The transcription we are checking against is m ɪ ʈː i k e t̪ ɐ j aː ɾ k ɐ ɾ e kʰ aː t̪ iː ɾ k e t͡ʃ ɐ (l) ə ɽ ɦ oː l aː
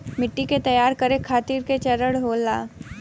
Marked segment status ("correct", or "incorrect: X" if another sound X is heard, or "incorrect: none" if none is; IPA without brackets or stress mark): incorrect: ɾ